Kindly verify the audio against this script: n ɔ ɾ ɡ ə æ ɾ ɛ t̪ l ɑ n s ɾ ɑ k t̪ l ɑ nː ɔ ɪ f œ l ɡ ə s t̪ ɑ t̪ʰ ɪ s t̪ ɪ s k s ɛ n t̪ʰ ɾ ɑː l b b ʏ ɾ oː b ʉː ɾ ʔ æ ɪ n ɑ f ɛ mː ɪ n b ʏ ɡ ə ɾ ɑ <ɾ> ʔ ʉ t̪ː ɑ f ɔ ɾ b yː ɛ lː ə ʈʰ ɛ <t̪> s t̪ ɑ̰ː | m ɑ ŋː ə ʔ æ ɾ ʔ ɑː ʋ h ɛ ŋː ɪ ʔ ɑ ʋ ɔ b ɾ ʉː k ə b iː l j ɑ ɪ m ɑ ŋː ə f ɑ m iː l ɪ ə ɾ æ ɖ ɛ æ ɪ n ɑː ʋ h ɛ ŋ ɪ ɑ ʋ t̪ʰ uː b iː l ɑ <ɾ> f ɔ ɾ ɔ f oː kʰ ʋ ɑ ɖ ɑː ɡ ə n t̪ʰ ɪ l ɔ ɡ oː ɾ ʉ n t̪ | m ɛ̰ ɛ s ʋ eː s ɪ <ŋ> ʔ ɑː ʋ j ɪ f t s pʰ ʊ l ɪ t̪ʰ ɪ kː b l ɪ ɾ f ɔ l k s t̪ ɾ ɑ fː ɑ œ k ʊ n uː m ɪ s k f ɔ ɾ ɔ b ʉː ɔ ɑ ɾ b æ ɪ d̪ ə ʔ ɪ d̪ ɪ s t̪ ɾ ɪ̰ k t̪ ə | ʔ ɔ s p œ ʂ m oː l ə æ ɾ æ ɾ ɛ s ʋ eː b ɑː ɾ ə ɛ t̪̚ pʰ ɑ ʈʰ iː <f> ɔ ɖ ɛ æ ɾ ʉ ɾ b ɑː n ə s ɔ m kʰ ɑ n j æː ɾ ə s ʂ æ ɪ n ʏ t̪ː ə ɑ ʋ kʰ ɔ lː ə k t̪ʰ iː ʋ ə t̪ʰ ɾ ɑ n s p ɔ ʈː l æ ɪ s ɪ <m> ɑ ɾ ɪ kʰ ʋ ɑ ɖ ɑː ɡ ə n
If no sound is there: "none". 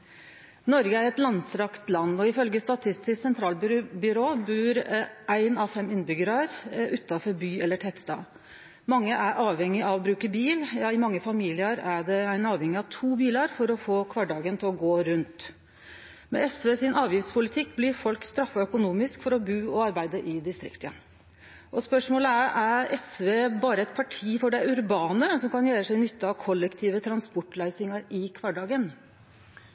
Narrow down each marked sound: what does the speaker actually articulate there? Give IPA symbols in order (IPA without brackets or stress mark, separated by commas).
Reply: ɾ, t̪, ɾ, n, f, ŋ